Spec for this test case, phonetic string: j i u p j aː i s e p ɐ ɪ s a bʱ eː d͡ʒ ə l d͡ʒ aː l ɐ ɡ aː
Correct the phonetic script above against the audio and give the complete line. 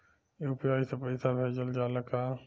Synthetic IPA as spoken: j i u p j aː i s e p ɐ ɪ s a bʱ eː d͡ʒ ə l d͡ʒ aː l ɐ k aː